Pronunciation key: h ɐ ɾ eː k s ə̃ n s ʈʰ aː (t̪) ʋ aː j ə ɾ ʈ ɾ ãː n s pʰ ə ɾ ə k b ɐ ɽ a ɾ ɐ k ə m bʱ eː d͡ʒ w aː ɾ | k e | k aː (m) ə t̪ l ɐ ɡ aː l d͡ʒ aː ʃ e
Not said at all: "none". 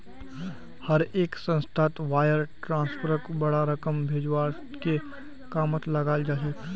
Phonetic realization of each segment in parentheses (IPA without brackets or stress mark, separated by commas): t̪, m